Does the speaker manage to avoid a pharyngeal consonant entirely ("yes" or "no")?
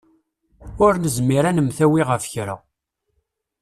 yes